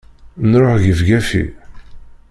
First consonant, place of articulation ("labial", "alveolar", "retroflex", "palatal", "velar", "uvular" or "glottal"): alveolar